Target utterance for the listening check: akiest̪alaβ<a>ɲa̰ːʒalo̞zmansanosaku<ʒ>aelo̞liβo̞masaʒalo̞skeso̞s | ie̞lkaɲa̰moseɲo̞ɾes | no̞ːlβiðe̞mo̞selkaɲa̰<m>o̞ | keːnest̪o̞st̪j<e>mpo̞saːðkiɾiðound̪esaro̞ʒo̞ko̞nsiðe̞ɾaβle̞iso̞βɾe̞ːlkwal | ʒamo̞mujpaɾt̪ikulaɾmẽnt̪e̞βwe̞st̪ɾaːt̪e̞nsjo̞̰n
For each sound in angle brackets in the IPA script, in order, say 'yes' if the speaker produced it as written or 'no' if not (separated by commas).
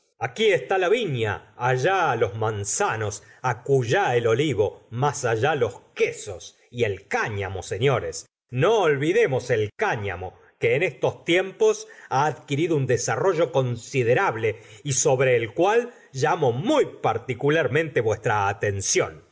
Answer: no, yes, yes, yes